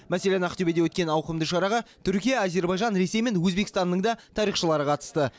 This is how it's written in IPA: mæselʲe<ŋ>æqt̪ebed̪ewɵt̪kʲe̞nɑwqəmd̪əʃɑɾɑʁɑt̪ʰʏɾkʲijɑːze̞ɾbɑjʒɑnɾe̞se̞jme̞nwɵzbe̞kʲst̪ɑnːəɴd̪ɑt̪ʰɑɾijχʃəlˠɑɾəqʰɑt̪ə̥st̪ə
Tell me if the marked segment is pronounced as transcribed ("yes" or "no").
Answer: no